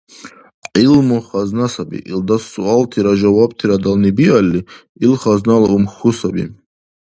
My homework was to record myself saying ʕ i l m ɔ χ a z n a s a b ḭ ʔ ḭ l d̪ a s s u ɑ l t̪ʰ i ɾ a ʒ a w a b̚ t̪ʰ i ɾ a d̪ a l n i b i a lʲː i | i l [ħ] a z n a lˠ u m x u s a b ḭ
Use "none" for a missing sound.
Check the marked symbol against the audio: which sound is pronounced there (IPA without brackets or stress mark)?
χ